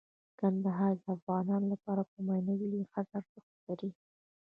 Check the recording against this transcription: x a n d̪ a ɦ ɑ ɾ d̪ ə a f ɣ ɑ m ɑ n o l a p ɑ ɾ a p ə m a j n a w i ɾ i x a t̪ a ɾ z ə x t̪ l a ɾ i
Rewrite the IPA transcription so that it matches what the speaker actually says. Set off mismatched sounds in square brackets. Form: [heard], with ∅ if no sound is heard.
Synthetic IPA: [k] a n d̪ a ɦ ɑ ɾ d̪ ə a f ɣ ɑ [n] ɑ n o l a p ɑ ɾ a p ə m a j n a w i [l] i x a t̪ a ɾ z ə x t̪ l a ɾ i